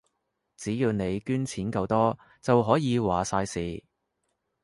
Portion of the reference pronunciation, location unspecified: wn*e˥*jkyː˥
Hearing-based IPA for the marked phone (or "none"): e˨˧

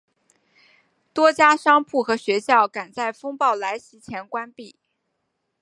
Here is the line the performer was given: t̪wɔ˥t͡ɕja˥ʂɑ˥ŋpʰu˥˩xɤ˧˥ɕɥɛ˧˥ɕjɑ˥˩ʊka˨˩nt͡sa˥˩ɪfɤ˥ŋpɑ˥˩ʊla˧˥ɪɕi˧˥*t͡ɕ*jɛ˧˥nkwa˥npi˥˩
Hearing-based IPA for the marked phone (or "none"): t͡ɕʰ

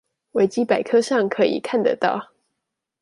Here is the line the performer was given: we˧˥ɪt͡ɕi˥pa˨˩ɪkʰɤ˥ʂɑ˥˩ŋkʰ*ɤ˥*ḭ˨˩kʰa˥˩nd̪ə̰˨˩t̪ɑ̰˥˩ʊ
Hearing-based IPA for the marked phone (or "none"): ɤ˧˥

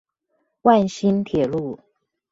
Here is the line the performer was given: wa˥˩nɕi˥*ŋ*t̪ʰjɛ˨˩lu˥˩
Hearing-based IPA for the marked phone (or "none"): n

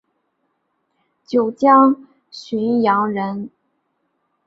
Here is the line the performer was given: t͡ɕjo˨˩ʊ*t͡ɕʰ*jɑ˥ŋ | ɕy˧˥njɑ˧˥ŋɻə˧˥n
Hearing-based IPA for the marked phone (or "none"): t͡ɕ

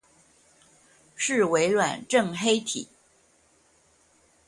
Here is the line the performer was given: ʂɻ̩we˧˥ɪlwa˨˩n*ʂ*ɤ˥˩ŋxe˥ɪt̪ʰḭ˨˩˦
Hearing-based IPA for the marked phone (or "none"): ʈ͡ʂ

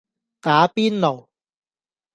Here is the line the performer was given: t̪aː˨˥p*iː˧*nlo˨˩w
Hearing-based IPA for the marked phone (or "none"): iː˥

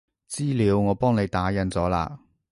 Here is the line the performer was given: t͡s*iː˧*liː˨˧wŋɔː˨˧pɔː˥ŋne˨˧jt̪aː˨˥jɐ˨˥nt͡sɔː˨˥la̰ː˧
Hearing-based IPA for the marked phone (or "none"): iː˥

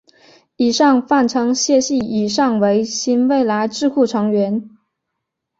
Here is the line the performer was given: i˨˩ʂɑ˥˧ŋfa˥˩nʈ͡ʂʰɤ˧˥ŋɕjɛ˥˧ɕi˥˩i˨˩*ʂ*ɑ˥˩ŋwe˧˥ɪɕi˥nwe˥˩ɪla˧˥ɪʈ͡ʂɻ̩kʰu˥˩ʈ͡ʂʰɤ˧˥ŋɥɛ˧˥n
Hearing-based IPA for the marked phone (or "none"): ʂ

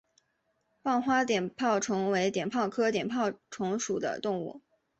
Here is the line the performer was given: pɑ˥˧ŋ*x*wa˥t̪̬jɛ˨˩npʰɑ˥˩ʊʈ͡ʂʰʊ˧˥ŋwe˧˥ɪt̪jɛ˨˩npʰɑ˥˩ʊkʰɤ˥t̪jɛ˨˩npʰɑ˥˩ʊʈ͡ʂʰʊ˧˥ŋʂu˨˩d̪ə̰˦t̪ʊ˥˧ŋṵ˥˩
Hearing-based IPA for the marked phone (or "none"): x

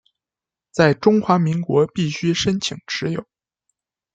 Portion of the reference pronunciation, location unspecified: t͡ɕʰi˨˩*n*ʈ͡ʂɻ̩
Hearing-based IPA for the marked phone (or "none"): ŋ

